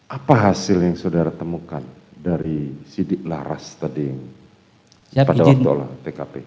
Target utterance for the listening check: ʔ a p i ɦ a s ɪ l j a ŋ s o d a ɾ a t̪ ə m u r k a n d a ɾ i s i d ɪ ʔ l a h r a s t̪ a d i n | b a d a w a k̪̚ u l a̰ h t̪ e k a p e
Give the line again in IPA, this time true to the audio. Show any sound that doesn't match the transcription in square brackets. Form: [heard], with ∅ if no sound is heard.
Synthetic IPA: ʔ a p [a] ɦ a s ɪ l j a ŋ s o d a ɾ a t̪ ə m u [∅] k a n d a ɾ i s i d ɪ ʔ l a h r a s t̪ a d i [ŋ] | [p] a d a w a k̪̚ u l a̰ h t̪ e k a p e